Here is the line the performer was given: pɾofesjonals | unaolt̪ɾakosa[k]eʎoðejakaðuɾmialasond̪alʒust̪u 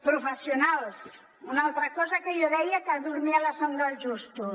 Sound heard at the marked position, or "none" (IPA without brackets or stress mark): k